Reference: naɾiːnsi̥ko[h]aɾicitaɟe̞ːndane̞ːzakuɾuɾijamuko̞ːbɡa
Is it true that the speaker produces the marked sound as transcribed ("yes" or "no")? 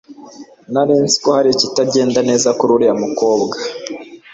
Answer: yes